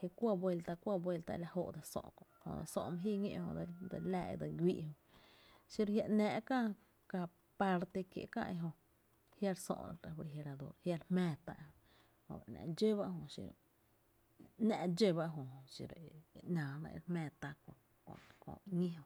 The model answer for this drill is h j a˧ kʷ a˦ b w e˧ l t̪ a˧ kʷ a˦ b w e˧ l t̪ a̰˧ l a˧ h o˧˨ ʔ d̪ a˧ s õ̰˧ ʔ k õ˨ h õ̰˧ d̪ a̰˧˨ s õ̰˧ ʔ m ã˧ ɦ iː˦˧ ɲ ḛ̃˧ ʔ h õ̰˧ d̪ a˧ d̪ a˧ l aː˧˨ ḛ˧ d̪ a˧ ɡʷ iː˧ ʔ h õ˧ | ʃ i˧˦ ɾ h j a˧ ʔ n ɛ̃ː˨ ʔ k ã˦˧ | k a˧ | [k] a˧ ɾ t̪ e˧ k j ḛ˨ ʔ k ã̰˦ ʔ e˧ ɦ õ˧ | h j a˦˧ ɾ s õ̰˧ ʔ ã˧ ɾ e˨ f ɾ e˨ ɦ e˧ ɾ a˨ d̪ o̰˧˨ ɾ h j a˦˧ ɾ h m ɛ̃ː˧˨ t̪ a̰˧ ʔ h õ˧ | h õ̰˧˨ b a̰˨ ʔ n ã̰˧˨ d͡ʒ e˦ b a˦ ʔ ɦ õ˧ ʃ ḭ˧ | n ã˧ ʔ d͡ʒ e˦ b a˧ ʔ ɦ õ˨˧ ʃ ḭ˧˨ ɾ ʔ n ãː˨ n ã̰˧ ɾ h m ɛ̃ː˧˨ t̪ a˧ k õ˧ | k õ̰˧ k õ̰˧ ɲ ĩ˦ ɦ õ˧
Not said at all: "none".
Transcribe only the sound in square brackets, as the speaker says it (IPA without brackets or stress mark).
p